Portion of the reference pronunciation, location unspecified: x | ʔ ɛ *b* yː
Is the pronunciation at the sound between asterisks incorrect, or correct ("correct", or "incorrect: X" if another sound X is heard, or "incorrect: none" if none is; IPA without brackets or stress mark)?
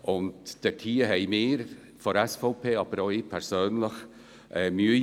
incorrect: m